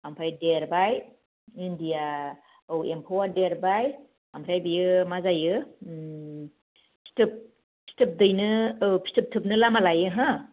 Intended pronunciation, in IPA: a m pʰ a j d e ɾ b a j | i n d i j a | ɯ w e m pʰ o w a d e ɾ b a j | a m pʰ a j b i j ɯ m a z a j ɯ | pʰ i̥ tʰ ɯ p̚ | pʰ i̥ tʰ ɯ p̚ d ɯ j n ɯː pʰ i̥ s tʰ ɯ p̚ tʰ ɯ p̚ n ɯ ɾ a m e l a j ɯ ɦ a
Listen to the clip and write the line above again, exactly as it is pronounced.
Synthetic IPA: a m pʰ a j d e ɾ b a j | i n d i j a | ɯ w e m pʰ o w a d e ɾ b a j | a m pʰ a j b i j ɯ m a z a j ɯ | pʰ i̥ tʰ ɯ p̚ | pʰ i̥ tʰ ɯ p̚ d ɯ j n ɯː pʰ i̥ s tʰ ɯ p̚ tʰ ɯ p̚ n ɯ l a m a l a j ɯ ɦ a